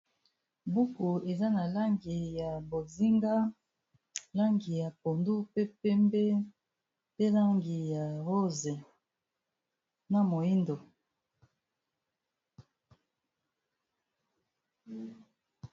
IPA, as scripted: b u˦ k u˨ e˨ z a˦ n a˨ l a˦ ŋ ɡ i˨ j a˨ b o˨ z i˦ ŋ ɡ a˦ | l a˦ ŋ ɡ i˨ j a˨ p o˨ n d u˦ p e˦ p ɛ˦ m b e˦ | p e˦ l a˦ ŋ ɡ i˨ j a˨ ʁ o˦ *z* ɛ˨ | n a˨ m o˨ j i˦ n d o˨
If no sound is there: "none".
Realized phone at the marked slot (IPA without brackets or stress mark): z